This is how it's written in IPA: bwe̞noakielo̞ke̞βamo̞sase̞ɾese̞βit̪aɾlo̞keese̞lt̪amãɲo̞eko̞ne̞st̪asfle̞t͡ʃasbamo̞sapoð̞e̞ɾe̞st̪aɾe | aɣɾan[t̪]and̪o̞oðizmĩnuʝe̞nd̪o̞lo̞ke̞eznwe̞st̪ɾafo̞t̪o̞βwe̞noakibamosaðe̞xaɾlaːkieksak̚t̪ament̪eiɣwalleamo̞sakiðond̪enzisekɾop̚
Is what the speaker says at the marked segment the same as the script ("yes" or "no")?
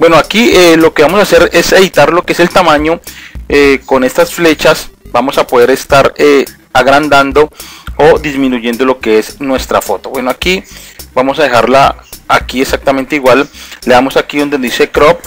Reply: no